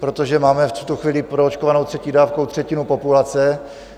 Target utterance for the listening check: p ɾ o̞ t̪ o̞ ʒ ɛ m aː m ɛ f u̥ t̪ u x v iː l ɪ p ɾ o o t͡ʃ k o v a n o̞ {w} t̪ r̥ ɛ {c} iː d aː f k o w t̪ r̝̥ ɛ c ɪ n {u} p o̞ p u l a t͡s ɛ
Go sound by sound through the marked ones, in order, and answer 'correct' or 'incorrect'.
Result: correct, correct, correct

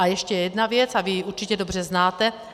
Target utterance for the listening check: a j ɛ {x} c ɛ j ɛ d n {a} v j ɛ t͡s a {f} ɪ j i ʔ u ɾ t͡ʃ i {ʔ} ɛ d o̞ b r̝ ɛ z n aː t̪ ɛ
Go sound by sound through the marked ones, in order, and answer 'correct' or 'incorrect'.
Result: incorrect: ʃ, correct, incorrect: v, incorrect: c

